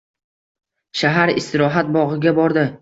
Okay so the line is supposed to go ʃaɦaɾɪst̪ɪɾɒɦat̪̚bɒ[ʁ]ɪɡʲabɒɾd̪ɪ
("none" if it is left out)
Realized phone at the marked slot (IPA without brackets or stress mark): ʁ